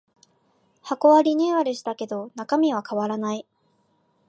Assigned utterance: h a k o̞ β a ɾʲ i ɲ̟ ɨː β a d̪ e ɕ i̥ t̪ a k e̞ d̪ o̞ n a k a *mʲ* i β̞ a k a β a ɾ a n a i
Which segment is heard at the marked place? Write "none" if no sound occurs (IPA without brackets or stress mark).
mʲ